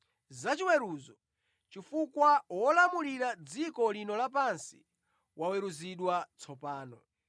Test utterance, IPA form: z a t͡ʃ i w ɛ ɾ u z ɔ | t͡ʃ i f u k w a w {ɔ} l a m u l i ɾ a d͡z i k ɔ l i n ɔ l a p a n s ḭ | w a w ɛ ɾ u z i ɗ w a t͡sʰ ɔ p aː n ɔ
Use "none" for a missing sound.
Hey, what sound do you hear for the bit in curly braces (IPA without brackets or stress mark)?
ɔ